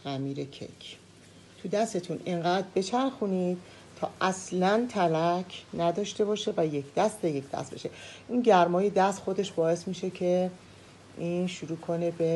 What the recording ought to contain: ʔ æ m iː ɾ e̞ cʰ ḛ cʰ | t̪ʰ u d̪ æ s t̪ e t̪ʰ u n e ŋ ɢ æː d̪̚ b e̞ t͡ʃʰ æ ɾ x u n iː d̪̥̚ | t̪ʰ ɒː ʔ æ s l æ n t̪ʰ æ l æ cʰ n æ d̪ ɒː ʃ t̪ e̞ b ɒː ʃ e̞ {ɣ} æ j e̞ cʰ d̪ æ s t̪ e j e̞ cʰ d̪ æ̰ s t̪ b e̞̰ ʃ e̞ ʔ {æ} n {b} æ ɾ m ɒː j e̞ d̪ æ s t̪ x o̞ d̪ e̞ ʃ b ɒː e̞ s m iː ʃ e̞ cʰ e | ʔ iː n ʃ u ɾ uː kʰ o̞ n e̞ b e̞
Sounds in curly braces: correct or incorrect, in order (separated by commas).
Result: incorrect, incorrect, incorrect